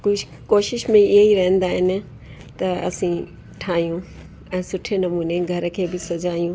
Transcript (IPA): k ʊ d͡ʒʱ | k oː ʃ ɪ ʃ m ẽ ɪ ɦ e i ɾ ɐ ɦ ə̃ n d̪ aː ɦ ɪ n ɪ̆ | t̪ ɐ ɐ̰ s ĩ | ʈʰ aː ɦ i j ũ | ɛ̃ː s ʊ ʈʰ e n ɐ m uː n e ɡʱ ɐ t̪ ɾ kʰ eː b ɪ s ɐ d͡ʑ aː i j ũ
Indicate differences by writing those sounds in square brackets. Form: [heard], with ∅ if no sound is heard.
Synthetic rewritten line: k ʊ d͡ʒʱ | k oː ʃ ɪ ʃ m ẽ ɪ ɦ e i ɾ ɐ ɦ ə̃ n d̪ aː ɦ ɪ n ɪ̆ | t̪ ɐ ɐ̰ s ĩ | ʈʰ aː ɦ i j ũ | ɛ̃ː s ʊ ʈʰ e n ɐ m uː n e ɡʱ ɐ [∅] ɾ kʰ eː b ɪ s ɐ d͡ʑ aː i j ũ